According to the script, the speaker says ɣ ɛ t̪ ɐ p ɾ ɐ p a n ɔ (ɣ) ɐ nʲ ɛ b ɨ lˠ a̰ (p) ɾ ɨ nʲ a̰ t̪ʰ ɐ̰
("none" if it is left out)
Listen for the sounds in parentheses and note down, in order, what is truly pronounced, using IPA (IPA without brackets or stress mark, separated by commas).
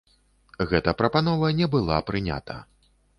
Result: v, p